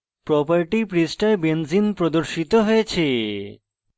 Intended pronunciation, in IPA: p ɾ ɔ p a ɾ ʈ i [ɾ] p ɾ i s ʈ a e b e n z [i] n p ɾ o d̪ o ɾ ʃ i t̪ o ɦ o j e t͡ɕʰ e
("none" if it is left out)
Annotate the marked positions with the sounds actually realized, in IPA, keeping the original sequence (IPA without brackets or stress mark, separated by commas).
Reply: none, i